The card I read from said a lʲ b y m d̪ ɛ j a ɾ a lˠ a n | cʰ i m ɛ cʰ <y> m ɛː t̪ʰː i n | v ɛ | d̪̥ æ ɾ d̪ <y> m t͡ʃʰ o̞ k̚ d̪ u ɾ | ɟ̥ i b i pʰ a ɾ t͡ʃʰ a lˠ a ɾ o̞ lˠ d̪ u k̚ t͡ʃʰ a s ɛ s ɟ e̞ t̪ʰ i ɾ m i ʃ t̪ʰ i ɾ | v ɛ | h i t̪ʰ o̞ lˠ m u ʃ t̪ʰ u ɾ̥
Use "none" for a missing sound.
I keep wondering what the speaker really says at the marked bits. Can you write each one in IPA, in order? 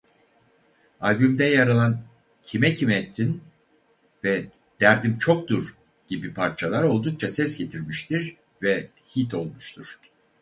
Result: i, i

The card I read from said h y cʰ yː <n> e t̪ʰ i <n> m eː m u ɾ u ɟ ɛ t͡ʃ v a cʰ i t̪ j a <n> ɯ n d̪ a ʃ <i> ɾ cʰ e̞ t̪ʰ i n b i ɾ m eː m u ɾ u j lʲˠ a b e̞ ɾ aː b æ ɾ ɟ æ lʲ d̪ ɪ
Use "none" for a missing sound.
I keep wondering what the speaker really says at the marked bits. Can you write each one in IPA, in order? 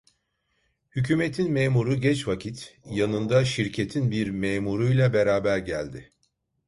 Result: m, n, n, i

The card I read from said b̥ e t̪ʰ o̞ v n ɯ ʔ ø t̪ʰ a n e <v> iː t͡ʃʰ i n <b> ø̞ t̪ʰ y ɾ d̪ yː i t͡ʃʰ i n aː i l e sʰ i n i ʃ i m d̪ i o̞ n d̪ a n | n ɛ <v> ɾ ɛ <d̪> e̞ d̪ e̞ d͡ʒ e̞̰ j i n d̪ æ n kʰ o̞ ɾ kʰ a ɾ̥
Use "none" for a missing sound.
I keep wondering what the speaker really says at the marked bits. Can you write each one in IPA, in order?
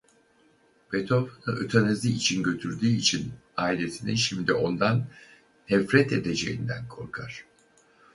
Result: z, ɟ, f, t̪

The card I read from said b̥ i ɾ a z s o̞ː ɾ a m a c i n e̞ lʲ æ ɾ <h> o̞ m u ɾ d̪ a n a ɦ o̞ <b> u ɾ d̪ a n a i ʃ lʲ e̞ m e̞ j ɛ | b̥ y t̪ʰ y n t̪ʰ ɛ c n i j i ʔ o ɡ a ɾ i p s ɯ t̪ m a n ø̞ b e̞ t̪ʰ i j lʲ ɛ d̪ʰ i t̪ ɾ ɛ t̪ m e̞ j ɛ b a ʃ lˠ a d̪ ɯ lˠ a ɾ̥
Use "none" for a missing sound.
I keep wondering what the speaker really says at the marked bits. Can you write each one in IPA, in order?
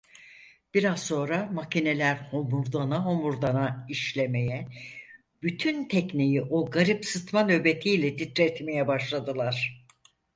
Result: h, m

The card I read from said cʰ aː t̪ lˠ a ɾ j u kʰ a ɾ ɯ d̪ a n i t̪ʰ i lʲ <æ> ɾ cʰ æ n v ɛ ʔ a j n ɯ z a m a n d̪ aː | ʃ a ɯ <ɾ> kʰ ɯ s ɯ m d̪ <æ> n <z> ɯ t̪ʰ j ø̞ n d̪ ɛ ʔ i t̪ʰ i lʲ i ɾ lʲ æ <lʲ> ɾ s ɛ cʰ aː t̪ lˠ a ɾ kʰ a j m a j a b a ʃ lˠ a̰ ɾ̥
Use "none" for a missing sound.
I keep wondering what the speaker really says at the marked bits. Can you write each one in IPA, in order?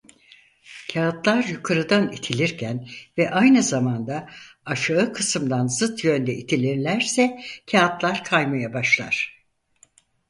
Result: i, none, a, z, none

